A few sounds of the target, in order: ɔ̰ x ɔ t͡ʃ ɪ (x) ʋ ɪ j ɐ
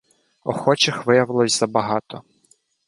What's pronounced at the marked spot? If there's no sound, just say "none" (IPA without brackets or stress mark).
x